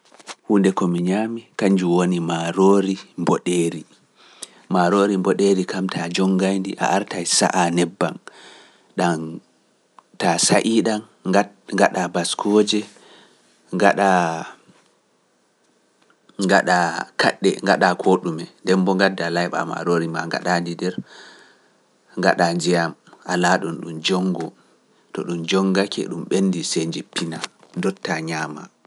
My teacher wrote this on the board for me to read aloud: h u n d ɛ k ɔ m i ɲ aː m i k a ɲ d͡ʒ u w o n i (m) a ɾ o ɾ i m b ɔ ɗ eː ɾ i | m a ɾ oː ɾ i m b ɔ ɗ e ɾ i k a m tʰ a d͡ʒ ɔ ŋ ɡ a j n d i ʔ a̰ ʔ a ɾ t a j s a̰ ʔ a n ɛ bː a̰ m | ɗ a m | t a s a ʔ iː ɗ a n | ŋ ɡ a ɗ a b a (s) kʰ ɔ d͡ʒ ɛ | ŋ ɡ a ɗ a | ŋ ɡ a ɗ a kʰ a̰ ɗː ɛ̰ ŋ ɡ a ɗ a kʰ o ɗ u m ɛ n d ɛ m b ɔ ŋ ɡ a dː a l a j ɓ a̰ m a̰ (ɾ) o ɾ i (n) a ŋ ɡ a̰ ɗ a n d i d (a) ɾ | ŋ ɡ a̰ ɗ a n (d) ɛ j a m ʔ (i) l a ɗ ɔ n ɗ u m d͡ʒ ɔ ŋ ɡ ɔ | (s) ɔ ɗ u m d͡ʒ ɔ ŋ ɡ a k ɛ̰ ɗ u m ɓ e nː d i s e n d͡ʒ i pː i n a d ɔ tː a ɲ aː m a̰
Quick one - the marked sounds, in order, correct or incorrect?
correct, correct, correct, incorrect, incorrect, incorrect, incorrect, incorrect

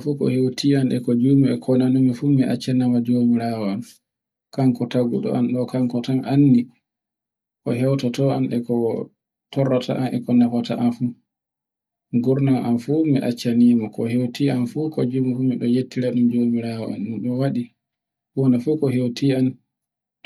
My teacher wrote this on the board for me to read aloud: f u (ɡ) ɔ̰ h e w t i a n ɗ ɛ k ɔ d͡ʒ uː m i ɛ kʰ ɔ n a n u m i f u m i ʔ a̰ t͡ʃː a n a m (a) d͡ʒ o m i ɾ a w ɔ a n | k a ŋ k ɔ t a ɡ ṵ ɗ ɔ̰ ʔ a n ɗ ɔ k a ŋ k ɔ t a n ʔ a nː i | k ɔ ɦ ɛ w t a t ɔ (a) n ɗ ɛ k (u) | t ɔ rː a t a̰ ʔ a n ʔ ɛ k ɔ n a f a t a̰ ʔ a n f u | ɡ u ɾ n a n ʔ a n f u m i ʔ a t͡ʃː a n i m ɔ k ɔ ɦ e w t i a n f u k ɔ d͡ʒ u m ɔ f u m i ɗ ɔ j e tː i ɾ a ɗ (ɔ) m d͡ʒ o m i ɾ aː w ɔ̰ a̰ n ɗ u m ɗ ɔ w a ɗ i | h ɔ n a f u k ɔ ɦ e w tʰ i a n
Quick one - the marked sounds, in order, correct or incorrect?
incorrect, correct, correct, incorrect, incorrect

